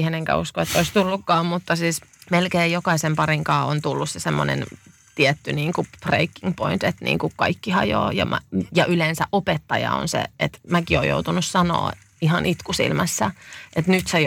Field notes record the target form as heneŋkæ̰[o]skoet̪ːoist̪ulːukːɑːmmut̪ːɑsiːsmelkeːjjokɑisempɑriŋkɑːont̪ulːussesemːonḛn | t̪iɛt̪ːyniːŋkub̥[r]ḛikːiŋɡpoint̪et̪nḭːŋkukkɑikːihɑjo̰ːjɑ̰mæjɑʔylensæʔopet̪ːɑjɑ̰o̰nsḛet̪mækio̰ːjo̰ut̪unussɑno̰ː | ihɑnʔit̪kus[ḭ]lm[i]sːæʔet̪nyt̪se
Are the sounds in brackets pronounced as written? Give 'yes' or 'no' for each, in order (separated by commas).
no, yes, yes, no